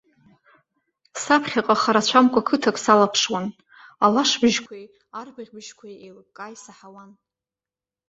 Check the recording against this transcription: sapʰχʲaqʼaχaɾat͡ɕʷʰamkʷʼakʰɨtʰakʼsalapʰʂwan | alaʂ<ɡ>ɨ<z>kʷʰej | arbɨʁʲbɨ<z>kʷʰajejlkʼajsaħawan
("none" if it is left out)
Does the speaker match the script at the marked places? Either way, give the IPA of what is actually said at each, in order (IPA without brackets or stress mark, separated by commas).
b, ʒ, ʒ